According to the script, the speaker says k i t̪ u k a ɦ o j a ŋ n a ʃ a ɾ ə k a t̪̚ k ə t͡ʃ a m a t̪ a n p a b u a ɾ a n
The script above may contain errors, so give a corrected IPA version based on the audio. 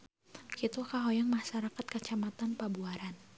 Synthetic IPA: k i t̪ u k a ɦ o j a ŋ m a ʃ a ɾ a k a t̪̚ k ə t͡ʃ a m a t̪ a n p a b u a ɾ a n